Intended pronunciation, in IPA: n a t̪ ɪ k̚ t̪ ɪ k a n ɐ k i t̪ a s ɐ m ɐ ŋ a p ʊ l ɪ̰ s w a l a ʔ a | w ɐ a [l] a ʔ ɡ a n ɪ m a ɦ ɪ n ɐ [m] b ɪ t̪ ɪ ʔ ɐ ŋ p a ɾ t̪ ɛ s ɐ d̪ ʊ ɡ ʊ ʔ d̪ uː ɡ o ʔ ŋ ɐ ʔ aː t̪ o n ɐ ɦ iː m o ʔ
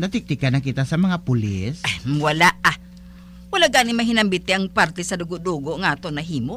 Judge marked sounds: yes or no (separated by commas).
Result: yes, yes